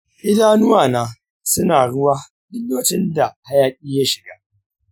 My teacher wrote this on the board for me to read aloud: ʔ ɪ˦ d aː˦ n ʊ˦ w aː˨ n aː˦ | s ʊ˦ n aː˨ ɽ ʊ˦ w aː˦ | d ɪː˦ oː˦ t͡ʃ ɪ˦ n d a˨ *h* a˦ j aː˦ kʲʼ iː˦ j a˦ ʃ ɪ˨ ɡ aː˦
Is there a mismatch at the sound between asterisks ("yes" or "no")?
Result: no